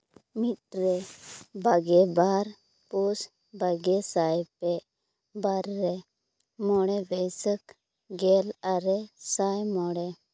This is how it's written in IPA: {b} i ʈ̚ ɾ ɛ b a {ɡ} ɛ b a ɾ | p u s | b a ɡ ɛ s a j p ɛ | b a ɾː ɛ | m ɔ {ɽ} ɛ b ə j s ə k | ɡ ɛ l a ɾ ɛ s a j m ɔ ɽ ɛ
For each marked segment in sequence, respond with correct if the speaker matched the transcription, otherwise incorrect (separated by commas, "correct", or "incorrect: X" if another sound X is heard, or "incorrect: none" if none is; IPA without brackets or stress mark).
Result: incorrect: m, correct, correct